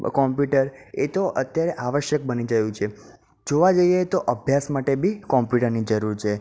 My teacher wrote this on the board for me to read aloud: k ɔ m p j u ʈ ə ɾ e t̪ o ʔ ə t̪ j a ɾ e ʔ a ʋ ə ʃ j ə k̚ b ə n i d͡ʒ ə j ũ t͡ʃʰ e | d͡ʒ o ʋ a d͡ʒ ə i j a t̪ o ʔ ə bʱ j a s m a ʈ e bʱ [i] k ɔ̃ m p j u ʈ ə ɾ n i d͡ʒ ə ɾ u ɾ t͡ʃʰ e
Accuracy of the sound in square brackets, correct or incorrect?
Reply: correct